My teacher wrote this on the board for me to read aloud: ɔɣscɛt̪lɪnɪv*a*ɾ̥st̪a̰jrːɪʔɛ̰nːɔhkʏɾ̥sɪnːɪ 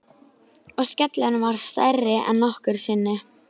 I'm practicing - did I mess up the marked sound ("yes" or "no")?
no